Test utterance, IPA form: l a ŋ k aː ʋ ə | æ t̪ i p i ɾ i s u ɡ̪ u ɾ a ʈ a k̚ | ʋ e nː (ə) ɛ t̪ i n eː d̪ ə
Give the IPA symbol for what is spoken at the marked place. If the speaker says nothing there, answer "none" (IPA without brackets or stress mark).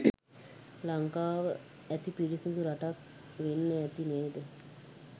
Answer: ə